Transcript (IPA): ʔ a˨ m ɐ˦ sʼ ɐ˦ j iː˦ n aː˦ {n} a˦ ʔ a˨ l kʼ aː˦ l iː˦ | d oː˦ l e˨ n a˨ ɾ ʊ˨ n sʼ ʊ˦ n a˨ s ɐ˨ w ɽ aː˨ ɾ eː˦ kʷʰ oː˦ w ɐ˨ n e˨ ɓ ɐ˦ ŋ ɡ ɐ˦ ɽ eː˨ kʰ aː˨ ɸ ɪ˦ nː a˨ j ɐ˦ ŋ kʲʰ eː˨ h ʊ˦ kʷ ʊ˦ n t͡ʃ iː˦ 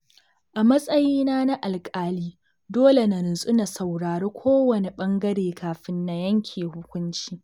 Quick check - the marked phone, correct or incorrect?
correct